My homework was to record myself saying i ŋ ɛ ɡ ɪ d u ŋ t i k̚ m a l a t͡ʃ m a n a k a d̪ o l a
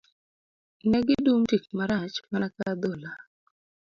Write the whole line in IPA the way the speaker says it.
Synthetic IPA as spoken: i n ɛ ɡ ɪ d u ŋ t i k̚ m a ɾ a t͡ʃ m a n a k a d̪ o l a